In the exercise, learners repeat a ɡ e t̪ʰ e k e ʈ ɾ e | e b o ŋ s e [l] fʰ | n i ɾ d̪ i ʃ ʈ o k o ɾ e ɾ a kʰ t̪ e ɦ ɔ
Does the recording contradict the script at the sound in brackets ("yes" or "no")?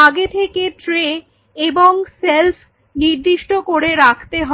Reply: no